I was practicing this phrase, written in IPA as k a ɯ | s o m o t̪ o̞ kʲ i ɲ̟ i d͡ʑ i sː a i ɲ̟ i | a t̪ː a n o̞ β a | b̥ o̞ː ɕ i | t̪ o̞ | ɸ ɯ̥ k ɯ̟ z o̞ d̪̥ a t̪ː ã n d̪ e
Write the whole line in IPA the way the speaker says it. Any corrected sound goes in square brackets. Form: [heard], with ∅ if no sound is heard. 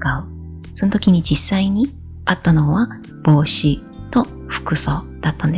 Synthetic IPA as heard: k a ɯ | s o [n] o t̪ o̞ kʲ i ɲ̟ i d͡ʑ i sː a i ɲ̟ i | a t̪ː a n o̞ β a | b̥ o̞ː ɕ i | t̪ o̞ | ɸ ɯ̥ k ɯ̟ [s] o̞ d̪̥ a t̪ː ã n d̪ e